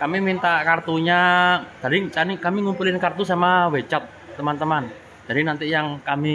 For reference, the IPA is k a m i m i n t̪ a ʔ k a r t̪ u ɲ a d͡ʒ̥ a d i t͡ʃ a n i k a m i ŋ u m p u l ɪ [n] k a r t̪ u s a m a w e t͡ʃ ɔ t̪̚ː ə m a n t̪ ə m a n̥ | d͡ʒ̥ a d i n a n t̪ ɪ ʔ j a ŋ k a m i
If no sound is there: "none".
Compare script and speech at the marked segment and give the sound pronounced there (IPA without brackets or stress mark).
n